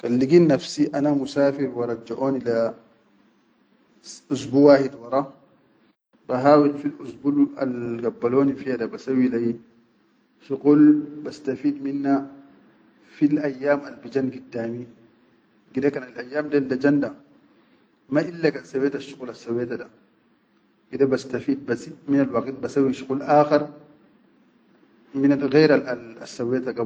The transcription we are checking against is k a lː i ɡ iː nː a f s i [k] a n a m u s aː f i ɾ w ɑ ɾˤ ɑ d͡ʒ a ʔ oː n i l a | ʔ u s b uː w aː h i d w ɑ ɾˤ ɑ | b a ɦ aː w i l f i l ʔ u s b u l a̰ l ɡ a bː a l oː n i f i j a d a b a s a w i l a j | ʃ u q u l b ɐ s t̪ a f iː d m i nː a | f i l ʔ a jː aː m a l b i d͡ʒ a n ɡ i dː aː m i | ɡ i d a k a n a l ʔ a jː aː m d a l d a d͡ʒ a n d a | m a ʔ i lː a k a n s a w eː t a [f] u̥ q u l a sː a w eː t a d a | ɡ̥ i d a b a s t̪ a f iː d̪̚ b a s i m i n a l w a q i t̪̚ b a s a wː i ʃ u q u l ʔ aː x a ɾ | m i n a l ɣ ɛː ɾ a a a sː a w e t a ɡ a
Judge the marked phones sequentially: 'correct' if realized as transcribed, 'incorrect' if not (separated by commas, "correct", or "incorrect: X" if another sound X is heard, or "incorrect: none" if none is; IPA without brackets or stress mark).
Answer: incorrect: ʔ, incorrect: ʃ